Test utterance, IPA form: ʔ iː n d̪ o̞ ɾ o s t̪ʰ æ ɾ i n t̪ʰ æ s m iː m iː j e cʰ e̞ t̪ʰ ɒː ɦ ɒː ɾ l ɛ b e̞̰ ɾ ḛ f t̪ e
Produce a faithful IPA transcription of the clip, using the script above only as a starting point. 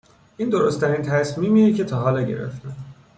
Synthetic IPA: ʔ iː n d̪ o̞ ɾ o s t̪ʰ æ ɾ i n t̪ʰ æ s m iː m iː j e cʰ e̞ t̪ʰ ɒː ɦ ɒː l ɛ ɟ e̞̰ ɾ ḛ f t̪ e

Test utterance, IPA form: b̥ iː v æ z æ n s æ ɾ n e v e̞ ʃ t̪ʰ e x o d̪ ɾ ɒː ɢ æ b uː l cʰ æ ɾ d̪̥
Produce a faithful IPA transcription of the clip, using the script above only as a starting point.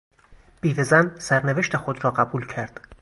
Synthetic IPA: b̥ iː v e z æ n s æ ɾ n e v e̞ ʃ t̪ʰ e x o d̪ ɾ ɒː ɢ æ b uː l cʰ æ ɾ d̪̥

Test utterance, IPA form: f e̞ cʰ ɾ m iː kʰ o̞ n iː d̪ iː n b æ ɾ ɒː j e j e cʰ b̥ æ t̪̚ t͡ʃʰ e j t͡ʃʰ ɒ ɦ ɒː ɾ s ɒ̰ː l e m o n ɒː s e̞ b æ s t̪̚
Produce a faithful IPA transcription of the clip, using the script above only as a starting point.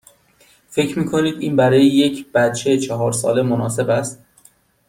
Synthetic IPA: f e̞ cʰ ɾ m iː kʰ o̞ n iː d̪ iː n b æ ɾ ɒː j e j e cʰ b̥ æ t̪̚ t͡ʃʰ e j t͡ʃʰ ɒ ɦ ɒː ɾ s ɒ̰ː l e m o n ɒː s e̞ b æ s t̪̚

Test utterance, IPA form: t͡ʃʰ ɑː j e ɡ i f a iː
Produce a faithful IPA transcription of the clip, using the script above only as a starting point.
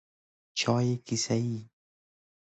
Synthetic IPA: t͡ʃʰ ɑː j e k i s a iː

